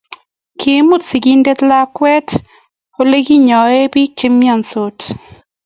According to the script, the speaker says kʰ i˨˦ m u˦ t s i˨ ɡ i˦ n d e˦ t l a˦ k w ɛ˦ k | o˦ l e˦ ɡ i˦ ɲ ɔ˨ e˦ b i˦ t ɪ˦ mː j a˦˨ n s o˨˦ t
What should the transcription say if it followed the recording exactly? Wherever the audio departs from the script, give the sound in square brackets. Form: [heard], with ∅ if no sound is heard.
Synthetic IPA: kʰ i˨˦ m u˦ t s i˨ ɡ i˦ n d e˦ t l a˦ k w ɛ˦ [t] | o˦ l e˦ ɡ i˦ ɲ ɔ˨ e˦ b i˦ [t͡ʃ] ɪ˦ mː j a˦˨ n s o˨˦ t